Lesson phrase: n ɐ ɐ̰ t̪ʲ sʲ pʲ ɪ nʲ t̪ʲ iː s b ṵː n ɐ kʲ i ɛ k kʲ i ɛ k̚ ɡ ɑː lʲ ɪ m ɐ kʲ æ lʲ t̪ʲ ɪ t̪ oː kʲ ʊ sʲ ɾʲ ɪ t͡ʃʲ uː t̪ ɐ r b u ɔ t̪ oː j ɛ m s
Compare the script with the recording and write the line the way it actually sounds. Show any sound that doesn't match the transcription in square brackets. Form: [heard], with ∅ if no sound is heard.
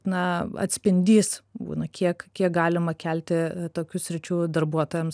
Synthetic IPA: n ɐ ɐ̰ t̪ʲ sʲ pʲ ɪ nʲ [d̪ʲ] iː s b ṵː n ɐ kʲ i ɛ k kʲ i ɛ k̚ ɡ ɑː lʲ ɪ m ɐ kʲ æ lʲ t̪ʲ ɪ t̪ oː kʲ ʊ sʲ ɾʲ ɪ t͡ʃʲ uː [d̪] ɐ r b u ɔ t̪ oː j ɛ m s